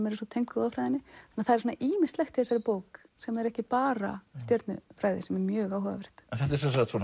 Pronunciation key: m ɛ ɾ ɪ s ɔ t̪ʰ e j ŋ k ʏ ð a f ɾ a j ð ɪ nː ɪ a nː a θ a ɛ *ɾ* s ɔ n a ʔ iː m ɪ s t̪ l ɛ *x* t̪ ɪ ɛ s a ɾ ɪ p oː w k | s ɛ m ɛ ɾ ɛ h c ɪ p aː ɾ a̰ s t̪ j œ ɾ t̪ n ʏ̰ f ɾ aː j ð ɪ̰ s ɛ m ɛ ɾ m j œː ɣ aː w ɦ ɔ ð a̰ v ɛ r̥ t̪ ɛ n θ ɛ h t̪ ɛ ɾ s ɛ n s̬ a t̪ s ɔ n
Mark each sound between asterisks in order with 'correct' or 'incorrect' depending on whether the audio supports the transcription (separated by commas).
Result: correct, correct